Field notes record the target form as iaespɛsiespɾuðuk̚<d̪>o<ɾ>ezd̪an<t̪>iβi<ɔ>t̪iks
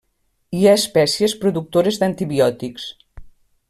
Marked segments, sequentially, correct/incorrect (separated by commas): incorrect, correct, correct, correct